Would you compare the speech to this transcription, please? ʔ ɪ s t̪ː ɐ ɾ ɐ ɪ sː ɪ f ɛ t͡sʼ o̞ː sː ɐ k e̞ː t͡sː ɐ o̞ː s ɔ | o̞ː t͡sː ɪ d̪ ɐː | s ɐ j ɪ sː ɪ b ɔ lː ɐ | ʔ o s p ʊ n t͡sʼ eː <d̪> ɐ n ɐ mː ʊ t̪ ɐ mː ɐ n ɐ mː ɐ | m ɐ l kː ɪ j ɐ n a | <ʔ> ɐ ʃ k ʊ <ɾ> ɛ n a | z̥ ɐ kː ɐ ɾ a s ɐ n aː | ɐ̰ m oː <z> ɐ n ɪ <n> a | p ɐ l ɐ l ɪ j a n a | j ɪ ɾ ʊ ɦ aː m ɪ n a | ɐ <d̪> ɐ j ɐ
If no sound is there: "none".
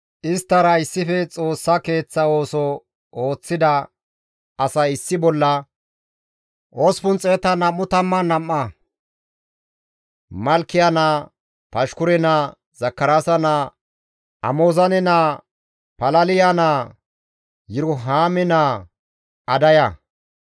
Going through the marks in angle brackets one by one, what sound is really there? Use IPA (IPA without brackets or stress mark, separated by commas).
t̪, p, ɾ, z, n, d̪